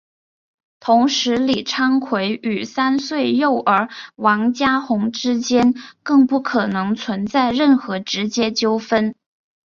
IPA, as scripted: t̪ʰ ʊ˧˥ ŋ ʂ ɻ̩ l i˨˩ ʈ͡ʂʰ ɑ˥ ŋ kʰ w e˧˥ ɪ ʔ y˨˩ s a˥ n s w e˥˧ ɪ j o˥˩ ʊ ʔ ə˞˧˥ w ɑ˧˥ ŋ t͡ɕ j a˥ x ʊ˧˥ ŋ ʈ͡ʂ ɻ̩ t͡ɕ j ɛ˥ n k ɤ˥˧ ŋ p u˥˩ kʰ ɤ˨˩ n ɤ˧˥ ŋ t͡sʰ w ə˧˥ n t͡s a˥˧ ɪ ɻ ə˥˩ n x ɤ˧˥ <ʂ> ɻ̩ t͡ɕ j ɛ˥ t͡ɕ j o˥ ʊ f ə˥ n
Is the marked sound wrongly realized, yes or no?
yes